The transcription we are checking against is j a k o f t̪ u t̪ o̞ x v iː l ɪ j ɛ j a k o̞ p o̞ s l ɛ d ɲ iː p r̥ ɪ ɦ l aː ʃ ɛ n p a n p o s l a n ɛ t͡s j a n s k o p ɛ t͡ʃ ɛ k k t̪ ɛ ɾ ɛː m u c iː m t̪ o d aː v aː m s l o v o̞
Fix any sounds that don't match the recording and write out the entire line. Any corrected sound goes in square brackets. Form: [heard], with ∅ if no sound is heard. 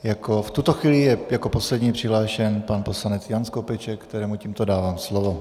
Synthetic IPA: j a k o f t̪ u t̪ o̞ x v iː l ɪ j ɛ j a k o̞ p o̞ s l ɛ d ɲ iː p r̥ ɪ ɦ l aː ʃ ɛ n p a n p o s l a n ɛ t͡s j a n s k o p ɛ t͡ʃ ɛ k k t̪ ɛ ɾ ɛː m u c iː m t̪ o d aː v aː m s l o v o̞